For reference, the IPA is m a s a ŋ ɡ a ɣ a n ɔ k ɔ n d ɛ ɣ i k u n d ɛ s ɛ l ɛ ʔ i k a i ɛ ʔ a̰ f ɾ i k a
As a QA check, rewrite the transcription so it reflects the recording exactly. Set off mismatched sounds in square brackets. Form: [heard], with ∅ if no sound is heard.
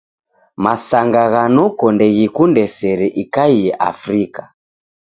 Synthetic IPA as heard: m a s a ŋ ɡ a ɣ a n ɔ k ɔ n d ɛ ɣ i k u n d ɛ s ɛ [ɾ] ɛ ʔ i k a i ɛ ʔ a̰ f ɾ i k a